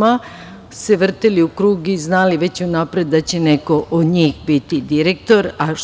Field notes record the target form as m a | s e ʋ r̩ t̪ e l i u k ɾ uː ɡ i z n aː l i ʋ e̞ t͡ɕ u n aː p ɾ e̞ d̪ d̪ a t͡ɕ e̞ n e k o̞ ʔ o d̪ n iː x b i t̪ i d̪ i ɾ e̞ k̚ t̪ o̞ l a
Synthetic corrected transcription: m a | s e ʋ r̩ t̪ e l i u k ɾ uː ɡ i z n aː l i ʋ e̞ t͡ɕ u n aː p ɾ e̞ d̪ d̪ a t͡ɕ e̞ n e k o̞ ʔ o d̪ ɲ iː x b i t̪ i d̪ i ɾ e̞ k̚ t̪ o̞ ɾ a